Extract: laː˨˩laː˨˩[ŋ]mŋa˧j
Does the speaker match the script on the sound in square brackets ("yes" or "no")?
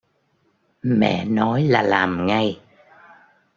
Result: no